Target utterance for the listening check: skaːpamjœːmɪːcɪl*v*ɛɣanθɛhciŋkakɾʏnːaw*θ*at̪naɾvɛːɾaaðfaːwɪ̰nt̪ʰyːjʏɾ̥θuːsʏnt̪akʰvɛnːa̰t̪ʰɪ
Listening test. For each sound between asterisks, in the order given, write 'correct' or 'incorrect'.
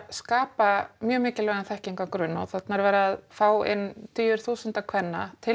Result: correct, correct

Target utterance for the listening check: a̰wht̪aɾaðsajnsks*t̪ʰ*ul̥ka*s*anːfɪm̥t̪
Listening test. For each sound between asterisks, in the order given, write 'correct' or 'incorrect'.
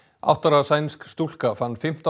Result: incorrect, incorrect

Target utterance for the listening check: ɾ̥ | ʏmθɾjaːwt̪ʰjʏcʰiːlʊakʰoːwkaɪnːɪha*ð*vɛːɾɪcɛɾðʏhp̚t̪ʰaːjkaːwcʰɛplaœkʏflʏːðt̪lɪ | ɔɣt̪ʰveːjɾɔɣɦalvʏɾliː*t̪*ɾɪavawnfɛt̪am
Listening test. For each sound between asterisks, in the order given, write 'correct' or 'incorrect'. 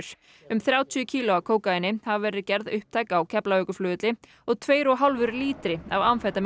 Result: incorrect, correct

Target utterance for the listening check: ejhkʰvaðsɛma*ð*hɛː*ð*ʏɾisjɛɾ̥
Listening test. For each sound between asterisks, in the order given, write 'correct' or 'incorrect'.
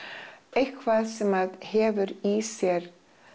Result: correct, incorrect

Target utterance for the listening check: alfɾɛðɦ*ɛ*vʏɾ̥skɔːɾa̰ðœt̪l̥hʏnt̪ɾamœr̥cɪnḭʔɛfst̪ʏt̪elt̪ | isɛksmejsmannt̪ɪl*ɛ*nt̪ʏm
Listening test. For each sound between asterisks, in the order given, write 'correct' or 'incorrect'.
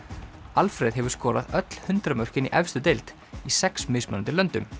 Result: correct, incorrect

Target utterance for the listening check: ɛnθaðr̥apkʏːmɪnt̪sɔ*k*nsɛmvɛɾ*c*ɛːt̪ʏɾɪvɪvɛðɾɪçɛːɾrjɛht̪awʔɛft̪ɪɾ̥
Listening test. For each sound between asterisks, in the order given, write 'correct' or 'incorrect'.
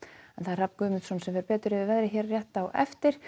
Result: incorrect, incorrect

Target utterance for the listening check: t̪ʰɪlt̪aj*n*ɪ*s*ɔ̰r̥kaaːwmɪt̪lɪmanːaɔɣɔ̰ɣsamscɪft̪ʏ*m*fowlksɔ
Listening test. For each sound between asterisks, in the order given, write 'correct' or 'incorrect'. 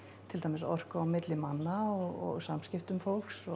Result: incorrect, correct, correct

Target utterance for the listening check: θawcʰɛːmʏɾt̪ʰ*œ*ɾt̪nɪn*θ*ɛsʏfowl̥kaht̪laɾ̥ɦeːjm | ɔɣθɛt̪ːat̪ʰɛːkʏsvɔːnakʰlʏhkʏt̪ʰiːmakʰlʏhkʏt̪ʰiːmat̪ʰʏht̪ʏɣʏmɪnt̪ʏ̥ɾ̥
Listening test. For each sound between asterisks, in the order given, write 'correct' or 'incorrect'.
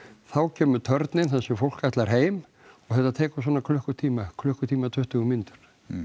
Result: correct, correct

